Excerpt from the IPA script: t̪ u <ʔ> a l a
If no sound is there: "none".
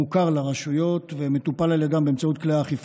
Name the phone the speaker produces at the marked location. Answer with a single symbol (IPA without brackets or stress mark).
p